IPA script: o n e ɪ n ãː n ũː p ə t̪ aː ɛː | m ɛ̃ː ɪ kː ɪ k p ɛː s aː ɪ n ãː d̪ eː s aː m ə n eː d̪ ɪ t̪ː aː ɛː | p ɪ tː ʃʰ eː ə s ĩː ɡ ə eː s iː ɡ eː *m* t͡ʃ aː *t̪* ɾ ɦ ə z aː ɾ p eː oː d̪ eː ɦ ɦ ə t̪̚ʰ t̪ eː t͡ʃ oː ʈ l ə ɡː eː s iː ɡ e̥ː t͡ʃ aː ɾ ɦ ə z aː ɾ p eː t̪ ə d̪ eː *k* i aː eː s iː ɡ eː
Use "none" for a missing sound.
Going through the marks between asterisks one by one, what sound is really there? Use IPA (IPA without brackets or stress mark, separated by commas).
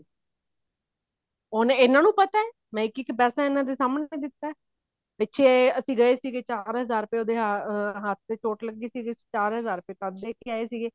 none, none, k